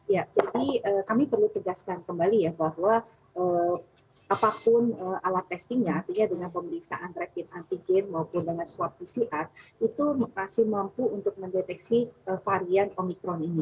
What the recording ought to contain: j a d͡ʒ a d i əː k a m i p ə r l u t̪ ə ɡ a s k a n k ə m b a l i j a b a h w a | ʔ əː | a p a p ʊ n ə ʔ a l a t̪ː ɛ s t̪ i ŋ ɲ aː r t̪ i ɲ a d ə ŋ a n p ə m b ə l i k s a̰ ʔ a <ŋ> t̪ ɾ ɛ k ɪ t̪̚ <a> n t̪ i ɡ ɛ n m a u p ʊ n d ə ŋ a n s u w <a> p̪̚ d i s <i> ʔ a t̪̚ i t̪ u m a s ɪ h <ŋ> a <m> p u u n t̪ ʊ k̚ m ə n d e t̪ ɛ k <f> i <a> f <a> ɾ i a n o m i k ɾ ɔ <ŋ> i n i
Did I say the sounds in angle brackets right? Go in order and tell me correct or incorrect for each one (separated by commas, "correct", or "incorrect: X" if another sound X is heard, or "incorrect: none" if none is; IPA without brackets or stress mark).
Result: incorrect: n, correct, correct, correct, incorrect: m, correct, incorrect: s, incorrect: ə, correct, incorrect: n